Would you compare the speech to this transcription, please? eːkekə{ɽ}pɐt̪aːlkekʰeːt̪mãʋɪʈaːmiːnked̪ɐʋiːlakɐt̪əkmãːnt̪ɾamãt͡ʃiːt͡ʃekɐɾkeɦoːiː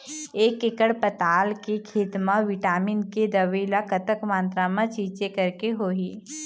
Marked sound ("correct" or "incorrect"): correct